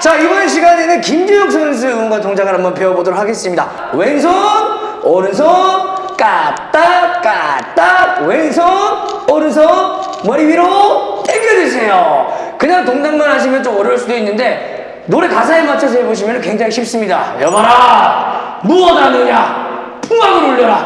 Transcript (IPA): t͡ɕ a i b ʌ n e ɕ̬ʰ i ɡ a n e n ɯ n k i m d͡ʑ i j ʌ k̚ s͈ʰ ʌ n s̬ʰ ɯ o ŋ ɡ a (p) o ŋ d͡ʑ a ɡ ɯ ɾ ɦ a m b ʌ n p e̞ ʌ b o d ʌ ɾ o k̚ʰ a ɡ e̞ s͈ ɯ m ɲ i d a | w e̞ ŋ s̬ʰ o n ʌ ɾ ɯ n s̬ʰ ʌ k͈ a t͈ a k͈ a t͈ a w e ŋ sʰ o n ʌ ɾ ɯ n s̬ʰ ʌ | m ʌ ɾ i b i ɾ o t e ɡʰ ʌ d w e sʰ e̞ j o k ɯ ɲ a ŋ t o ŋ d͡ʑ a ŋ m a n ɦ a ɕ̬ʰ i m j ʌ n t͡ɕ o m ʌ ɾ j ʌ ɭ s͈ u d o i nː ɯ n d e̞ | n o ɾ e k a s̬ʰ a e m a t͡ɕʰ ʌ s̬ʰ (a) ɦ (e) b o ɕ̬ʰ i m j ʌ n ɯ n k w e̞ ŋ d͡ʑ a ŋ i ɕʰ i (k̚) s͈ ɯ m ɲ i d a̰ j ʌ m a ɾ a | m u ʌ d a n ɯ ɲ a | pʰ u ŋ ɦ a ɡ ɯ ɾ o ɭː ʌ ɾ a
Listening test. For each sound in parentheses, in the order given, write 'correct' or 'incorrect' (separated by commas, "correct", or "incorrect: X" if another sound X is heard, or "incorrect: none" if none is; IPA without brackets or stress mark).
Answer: incorrect: t, incorrect: ʌ, correct, incorrect: p̚